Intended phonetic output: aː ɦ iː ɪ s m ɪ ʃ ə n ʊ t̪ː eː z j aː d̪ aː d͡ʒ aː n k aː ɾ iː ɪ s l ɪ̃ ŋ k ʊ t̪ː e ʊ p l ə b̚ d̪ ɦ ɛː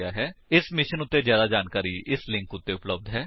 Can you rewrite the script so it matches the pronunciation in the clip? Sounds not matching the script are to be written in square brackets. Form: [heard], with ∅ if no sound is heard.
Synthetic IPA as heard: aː ɦ [ɛː] ɪ s m ɪ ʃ ə n ʊ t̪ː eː z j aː d̪ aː d͡ʒ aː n k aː ɾ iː ɪ s l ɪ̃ ŋ k ʊ t̪ː e ʊ p l ə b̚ d̪ ɦ ɛː